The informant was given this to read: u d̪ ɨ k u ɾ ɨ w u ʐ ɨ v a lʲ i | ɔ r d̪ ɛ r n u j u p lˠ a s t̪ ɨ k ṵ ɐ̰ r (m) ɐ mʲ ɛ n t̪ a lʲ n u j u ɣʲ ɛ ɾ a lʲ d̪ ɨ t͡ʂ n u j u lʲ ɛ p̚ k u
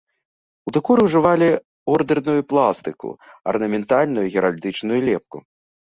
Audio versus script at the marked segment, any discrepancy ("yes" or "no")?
yes